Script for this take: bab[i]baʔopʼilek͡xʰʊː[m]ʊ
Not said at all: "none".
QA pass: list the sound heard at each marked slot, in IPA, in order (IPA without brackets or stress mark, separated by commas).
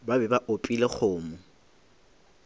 ɛ, m